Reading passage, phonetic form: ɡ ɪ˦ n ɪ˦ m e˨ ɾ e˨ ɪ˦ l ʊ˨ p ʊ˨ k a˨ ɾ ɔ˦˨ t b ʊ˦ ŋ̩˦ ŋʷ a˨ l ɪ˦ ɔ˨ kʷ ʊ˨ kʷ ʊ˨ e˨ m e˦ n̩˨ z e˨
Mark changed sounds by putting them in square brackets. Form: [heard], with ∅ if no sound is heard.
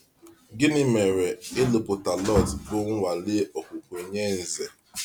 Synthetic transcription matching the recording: ɡ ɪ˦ n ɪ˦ m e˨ ɾ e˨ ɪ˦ l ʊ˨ p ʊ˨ [t] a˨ [l] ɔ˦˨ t b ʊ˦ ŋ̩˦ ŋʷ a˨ l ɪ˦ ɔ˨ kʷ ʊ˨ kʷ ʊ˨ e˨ [ɲ] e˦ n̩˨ z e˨

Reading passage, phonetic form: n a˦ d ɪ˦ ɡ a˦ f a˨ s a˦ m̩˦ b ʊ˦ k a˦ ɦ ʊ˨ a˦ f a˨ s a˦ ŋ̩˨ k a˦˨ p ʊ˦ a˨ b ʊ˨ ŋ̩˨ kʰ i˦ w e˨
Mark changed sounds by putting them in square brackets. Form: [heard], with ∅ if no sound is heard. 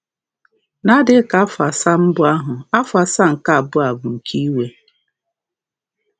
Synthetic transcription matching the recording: n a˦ d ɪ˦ [k] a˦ f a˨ s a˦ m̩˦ b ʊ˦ [∅] a˦ ɦ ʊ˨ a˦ f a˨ s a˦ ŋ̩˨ k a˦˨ [b] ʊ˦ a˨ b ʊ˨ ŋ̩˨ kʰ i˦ w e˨

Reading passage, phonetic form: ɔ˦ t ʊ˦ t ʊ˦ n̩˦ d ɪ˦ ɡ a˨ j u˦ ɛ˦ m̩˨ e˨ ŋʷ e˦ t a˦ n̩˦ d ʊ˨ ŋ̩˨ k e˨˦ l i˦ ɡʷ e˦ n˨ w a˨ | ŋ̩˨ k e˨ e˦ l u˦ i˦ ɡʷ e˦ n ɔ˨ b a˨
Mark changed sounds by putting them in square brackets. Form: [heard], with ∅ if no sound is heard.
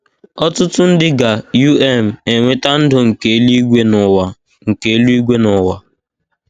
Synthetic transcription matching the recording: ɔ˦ t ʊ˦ t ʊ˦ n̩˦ d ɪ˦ ɡ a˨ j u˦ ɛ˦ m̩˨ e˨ ŋʷ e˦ t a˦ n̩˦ d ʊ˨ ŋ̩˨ k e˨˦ l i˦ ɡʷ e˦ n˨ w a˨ | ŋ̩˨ k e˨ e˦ l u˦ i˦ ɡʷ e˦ n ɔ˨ [w] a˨

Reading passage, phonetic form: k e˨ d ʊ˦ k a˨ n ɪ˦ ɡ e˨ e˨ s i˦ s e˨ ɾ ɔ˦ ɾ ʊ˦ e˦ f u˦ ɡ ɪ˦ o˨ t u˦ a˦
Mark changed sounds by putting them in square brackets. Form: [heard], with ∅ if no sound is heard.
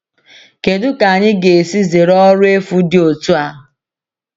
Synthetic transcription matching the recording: k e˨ d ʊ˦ k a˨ [ɲ] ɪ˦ ɡ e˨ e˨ s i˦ [z] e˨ ɾ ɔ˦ ɾ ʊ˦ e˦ f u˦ [d] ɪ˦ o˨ t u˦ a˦

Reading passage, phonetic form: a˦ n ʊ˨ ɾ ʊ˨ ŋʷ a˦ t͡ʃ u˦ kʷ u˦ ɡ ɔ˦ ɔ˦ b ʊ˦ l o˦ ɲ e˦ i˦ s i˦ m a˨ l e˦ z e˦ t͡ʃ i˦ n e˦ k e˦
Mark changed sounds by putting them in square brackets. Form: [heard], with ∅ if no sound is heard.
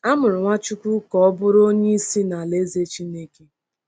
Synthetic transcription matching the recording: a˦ [m] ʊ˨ ɾ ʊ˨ ŋʷ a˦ t͡ʃ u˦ kʷ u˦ [k] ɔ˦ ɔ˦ b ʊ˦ [ɾ] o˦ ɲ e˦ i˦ s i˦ [n] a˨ l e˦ z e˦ t͡ʃ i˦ n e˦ k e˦

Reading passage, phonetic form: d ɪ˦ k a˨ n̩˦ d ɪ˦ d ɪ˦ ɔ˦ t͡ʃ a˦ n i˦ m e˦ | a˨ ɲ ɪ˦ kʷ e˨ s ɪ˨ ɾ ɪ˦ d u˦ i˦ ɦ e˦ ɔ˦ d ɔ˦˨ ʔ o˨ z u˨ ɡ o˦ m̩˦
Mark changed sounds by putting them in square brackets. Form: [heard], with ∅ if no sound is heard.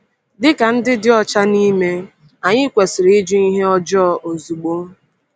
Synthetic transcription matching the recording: d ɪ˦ k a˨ n̩˦ d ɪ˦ d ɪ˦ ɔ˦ t͡ʃ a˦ n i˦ m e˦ | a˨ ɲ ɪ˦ kʷ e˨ s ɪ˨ ɾ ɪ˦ [d͡ʒ] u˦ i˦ ɦ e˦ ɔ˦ [d͡ʒ] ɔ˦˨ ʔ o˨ z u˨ [ɡ͡b] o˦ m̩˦

